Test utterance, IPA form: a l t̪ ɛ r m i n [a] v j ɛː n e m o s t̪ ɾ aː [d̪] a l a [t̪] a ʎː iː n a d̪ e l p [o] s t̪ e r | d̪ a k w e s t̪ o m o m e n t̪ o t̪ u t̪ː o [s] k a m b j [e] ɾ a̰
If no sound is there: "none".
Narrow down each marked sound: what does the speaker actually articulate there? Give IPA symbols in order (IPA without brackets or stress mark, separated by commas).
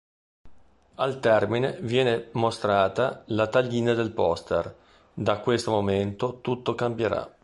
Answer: e, t̪, t̪, ɔ, none, e